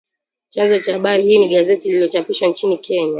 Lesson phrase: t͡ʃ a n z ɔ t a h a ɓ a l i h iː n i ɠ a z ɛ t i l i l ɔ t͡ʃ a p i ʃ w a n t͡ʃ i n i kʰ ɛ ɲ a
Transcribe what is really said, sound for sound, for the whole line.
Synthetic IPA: t͡ʃ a n z ɔ t͡ʃ a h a ɓ a ɾ i h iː n i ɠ a z ɛ t i l i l ɔ t͡ʃ a p i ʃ w a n t͡ʃ i n i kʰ ɛ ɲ a